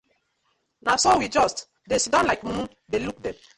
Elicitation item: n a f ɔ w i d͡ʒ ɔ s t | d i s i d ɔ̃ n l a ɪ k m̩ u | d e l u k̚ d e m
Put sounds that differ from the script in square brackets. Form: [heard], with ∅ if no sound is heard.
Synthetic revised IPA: n a [s] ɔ w i d͡ʒ ɔ s t | d [e] s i d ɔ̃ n l a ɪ k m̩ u | d e l u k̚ d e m